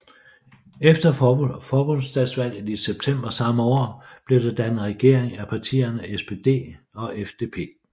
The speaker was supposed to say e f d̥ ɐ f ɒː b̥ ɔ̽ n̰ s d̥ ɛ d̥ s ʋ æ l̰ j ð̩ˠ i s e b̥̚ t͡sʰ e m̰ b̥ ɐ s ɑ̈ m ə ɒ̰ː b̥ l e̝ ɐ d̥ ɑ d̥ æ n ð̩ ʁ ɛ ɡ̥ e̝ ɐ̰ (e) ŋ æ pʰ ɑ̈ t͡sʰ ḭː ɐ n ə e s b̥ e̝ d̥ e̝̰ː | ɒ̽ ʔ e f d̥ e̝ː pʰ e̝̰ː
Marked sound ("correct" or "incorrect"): correct